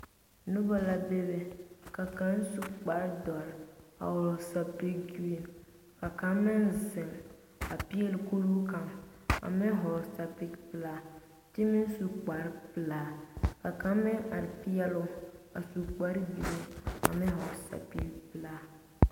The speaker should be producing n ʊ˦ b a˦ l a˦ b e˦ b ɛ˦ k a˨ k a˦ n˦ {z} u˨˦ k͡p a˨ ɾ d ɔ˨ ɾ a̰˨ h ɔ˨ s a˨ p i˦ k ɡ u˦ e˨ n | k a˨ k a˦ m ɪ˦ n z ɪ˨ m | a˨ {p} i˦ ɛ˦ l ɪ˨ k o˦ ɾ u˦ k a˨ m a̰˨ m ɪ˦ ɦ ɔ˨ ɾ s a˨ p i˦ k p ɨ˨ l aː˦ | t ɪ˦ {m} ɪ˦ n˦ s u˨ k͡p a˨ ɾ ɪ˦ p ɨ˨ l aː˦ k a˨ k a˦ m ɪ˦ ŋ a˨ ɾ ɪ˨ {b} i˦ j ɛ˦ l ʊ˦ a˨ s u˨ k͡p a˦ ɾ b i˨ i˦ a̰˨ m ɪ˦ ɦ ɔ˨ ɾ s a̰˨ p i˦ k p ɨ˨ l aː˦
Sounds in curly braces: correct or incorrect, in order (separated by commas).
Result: incorrect, correct, correct, incorrect